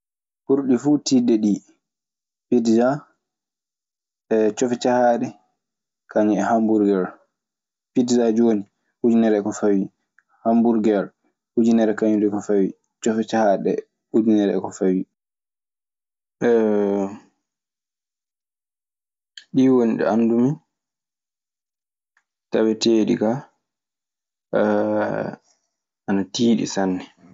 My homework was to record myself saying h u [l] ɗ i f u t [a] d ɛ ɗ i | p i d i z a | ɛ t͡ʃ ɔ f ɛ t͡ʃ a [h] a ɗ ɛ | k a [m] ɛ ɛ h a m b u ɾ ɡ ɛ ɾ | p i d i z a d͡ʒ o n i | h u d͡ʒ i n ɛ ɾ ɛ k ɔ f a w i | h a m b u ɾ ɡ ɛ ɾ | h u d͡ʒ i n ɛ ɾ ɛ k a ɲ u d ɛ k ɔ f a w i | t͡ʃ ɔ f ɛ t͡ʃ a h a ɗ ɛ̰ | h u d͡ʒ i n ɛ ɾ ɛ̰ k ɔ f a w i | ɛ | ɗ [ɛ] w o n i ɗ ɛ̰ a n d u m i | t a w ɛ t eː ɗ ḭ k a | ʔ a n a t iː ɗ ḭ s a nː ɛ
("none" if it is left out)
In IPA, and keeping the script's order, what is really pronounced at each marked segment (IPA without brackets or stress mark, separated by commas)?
ɾ, i, h, ɲ, i